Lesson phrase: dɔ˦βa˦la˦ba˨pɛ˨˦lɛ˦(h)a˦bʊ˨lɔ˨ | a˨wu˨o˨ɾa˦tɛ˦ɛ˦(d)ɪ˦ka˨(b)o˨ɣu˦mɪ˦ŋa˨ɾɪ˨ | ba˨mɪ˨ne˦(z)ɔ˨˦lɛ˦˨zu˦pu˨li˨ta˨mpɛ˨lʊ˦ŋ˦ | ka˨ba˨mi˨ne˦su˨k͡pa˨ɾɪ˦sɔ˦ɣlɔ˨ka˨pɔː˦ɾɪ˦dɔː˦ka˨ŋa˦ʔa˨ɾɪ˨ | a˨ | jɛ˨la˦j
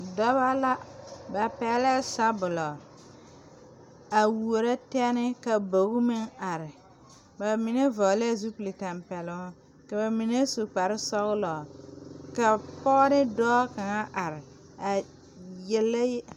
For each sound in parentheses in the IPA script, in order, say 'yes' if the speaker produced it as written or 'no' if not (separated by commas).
no, no, yes, no